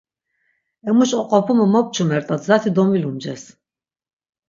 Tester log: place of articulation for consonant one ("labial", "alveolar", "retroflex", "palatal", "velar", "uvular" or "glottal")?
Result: labial